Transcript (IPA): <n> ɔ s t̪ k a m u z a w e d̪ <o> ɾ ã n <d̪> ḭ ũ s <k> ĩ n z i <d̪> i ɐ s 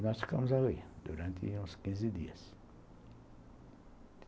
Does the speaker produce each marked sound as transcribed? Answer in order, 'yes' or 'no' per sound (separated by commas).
yes, no, no, yes, yes